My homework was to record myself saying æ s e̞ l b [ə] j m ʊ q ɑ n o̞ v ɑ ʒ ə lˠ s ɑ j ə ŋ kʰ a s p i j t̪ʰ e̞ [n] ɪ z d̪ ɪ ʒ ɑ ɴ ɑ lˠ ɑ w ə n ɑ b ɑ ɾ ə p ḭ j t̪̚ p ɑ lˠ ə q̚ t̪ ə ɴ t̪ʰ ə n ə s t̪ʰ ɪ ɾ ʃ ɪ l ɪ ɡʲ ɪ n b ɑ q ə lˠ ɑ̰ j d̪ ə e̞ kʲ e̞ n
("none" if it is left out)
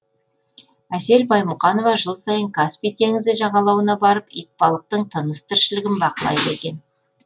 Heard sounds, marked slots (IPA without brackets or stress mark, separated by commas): ɑ, ŋ